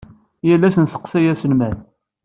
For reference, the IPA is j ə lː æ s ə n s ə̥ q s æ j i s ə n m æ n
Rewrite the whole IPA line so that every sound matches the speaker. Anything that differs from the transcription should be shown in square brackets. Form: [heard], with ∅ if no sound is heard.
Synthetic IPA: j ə lː æ s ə n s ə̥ q s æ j [æ] s ə n m æ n